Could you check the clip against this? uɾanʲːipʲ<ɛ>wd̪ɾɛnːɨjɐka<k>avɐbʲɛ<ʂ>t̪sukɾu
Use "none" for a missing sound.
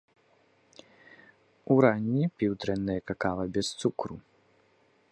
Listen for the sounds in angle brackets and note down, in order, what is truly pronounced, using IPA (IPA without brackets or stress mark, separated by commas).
i, k, s